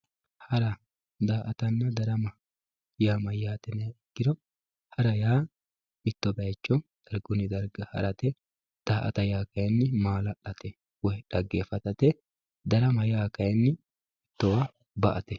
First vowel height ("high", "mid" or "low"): low